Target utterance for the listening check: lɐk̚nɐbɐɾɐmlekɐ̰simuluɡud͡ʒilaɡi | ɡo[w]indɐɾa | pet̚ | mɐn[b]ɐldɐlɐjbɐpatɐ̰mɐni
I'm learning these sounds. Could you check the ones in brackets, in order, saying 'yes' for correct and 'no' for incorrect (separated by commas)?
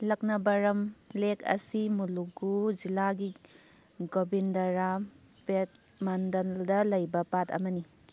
no, no